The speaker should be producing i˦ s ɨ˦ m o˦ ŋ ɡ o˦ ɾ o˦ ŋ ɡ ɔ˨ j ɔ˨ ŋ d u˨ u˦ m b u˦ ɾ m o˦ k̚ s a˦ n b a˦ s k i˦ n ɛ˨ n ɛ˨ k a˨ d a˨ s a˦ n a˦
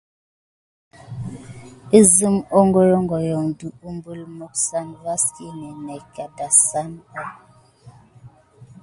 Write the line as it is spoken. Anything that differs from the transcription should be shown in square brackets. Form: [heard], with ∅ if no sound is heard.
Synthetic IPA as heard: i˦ [z] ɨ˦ m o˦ ŋ ɡ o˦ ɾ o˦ ŋ ɡ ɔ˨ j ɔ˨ ŋ d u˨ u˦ m b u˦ [l] m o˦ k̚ s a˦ n [v] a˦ s k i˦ n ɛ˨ n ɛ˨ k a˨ d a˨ s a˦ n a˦